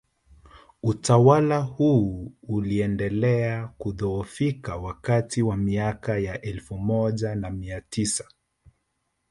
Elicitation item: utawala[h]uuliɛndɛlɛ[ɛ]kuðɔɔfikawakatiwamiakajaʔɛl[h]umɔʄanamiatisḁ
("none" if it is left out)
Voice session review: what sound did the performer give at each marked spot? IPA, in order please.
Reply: h, a, f

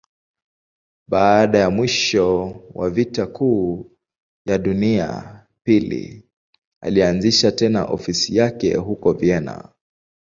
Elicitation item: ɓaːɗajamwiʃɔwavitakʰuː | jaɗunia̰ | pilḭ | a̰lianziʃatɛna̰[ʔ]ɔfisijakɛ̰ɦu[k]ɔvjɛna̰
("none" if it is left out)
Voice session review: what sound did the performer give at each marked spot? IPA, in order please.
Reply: ʔ, k

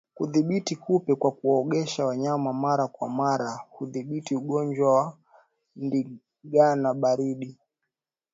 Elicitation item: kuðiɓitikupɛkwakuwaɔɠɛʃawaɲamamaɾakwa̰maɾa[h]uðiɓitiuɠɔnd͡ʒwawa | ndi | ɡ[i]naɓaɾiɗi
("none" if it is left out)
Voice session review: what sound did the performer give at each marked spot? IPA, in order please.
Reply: h, a

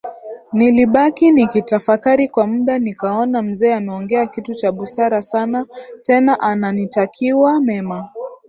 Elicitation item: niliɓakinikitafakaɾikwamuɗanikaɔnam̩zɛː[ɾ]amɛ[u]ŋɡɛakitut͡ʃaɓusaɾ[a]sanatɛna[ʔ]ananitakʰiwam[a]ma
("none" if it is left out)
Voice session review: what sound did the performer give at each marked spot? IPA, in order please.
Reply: none, ɔ, a, ʔ, ɛ

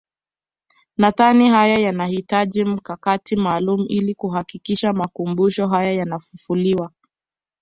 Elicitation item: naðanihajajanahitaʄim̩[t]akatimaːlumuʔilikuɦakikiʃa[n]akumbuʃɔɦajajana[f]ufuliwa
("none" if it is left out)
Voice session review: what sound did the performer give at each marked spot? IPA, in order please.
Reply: k, m, f

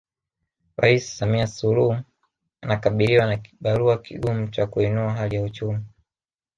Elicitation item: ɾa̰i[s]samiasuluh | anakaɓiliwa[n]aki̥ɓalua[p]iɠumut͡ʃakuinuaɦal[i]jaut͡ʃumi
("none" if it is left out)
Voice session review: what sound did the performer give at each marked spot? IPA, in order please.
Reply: s, n, k, i

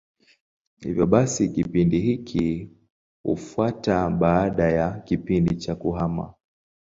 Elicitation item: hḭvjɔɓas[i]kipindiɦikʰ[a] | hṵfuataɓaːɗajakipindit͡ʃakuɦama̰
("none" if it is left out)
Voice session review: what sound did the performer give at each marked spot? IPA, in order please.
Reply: i, i

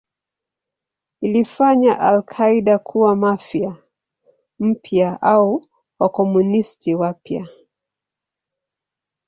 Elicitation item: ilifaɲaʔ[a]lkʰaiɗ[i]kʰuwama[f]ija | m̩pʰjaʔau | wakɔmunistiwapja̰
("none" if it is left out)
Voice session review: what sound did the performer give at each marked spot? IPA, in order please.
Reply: a, a, f

